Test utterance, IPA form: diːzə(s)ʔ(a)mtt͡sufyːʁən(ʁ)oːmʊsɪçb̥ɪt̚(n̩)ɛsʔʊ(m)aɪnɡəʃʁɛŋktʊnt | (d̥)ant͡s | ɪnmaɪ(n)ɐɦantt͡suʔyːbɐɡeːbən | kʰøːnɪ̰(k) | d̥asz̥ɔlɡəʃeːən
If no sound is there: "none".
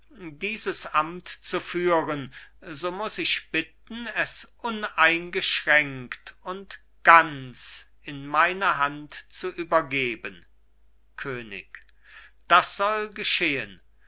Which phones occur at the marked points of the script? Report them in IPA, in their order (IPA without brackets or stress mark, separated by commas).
s, a, z, n̩, n, ɡ̥, n, k